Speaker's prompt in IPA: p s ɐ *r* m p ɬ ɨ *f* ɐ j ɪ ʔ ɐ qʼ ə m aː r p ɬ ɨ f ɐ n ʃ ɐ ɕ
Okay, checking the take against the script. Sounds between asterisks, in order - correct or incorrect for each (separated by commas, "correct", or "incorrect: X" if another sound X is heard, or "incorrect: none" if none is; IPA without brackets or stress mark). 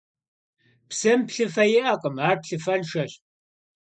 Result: incorrect: none, correct